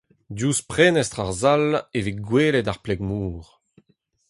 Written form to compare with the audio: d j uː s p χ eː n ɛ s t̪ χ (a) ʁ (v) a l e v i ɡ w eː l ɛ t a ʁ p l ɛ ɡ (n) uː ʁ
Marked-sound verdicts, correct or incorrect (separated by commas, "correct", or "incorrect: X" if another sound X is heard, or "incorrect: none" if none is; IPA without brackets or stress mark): correct, incorrect: z, incorrect: m